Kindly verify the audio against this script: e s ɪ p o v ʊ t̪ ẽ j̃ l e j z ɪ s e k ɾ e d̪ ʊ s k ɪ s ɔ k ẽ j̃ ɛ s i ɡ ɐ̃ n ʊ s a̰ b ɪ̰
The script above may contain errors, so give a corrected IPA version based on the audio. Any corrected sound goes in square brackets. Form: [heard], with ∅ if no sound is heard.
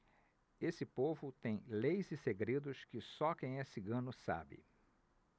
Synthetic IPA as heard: e s ɪ p o v ʊ t̪ ẽ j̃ l e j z ɪ s e [ɡ] ɾ e d̪ ʊ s k ɪ s ɔ k ẽ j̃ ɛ s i ɡ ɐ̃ n ʊ s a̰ b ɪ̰